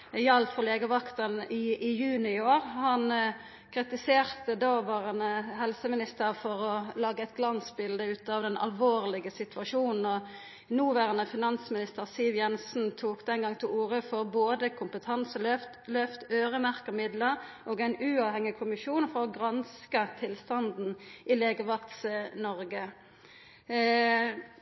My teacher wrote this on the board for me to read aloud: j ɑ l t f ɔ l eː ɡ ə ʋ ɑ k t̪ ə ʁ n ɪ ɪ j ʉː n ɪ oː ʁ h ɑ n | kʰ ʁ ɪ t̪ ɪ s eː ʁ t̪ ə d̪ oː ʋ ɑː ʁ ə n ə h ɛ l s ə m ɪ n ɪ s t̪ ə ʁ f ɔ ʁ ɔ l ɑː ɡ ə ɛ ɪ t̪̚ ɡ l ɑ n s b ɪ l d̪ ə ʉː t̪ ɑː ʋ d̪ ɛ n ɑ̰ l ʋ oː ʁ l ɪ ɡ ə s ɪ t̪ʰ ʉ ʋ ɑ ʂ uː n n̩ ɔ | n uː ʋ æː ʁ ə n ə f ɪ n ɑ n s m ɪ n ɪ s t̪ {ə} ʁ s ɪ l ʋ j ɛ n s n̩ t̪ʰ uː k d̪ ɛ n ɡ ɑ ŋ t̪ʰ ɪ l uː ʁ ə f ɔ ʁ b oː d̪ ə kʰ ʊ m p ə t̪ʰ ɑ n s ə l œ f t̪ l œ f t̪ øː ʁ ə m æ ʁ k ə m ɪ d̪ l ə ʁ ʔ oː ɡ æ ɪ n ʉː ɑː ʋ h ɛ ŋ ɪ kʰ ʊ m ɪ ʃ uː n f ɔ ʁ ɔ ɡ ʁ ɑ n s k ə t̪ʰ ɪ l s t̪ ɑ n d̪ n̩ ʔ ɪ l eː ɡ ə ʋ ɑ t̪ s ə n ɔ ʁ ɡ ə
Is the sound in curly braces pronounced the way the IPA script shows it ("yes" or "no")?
yes